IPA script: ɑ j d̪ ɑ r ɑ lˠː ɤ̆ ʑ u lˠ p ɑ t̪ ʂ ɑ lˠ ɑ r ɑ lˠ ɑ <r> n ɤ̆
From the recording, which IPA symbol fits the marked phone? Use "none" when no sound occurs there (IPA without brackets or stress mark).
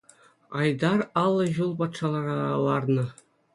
r